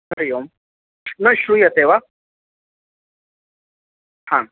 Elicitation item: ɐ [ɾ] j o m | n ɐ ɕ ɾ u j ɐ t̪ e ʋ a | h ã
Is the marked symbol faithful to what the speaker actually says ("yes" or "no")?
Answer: yes